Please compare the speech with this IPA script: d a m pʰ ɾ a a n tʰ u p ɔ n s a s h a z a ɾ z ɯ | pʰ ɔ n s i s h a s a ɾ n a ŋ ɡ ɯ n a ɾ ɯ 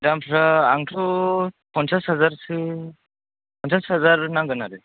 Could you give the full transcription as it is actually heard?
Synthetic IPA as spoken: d a m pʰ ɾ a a ŋ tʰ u p ɔ n s a s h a z a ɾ s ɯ | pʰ ɔ n s a s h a z a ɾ n a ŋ ɡ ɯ n a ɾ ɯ